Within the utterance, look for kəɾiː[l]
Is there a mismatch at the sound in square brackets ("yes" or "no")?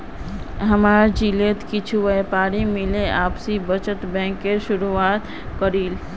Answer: no